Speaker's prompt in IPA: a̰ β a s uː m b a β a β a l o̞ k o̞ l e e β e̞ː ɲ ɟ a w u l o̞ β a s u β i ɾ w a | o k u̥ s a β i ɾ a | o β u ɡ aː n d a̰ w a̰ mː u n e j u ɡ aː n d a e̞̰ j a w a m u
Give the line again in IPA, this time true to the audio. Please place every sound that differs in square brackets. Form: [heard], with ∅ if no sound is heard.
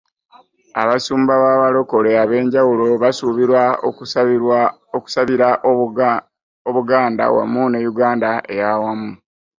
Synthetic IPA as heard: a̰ β a s uː m b a β a β a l o̞ k o̞ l e [a] β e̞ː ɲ ɟ a w u l o̞ β a s u β i ɾ w a | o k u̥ s a β i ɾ a | o β u ɡ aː n d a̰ w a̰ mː u n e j u ɡ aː n d a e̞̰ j a w a m u